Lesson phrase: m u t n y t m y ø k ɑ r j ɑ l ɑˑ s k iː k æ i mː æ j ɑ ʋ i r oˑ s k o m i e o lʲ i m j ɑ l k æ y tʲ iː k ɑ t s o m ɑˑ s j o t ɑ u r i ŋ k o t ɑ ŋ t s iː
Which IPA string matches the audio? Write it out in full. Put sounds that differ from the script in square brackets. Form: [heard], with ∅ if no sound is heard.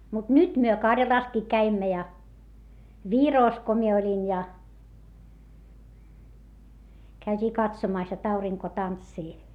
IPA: m u t n y t m y ø k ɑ r j ɑ l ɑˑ s k iː k æ i mː æ j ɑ ʋ i r oˑ s k o m i e o lʲ i [n] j ɑ [∅] k æ y tʲ iː k ɑ t s o m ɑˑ s j o t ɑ u r i ŋ k o t ɑ [n] t s iː